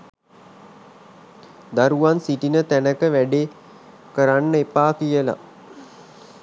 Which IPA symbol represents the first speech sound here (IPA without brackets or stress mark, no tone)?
d̪